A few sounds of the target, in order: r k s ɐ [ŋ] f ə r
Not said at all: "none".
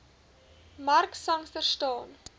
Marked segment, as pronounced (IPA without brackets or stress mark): ŋ